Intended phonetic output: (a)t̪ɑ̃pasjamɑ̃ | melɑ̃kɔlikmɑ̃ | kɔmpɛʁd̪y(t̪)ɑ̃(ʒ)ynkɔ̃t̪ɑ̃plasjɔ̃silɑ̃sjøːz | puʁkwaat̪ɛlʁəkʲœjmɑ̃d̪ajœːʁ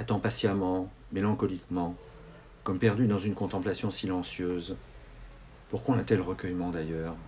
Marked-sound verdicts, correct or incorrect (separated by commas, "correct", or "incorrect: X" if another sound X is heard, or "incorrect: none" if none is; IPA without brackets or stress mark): correct, incorrect: d̪, incorrect: z